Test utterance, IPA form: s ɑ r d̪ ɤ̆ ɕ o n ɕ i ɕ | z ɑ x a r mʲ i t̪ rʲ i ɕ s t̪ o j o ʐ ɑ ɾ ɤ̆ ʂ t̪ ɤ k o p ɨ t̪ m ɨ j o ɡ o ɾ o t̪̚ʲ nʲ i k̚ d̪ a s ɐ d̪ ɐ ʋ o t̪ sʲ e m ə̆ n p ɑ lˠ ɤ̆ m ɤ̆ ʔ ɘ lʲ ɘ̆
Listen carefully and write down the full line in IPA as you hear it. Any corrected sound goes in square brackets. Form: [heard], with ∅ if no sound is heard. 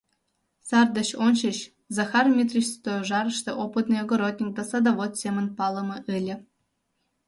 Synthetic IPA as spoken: s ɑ r d̪ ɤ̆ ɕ o n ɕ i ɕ | z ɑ x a r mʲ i t̪ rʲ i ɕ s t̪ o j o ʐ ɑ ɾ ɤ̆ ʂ t̪ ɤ [ʔ] o p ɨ t̪ [n] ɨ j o ɡ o ɾ o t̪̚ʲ nʲ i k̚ d̪ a s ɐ d̪ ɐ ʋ o t̪ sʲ e m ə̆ n p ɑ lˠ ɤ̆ m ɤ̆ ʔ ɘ lʲ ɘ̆